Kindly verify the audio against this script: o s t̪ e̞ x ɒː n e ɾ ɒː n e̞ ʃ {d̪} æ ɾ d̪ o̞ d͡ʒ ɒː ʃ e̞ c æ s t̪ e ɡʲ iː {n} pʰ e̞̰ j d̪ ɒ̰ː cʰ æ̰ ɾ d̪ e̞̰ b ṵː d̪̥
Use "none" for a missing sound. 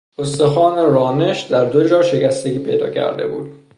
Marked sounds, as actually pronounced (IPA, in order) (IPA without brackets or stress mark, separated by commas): d̪, none